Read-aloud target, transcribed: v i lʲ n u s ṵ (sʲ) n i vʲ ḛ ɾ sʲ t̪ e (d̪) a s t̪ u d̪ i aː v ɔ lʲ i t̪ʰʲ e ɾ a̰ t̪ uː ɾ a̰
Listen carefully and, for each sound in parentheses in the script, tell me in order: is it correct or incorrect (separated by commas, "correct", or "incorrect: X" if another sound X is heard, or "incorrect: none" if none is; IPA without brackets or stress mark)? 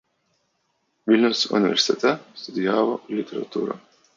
incorrect: none, incorrect: t̪